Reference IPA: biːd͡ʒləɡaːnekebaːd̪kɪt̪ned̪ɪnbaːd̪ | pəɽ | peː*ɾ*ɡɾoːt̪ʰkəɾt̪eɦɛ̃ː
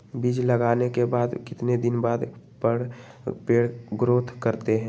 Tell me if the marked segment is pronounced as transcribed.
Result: no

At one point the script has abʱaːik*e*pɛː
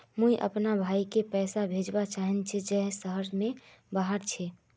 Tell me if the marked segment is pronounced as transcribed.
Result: yes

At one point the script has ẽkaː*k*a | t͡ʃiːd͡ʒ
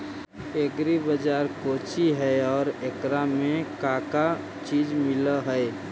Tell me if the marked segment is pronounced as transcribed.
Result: yes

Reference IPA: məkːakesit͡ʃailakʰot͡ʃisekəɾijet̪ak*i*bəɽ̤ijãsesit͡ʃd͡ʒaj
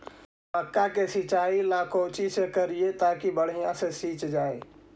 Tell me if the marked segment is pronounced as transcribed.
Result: yes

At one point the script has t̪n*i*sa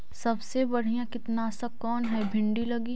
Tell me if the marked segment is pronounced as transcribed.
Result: no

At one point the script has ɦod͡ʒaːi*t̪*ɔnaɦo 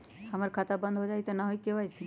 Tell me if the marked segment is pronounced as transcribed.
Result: yes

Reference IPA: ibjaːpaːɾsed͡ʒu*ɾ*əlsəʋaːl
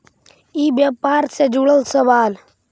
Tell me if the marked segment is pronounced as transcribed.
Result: no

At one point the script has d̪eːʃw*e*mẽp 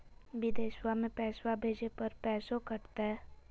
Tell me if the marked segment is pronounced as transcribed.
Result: no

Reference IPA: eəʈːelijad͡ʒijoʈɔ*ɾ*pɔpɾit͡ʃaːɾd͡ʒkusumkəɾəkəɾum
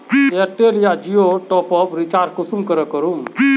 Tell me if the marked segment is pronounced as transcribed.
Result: no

